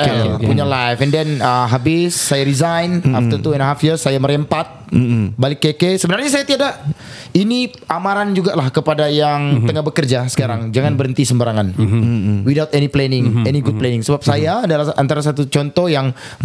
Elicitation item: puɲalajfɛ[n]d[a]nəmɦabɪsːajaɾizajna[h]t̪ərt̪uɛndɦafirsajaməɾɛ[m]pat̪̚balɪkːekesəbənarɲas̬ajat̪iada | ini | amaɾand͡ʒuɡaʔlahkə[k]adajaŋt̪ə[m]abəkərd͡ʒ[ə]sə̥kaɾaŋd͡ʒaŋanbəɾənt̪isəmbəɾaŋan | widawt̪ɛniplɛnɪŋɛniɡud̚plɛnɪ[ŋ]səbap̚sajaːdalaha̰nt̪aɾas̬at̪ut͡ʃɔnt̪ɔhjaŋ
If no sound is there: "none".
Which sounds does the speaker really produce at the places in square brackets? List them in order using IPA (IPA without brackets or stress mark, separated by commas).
n, ɛ, f, m, p, ŋ, a, ŋ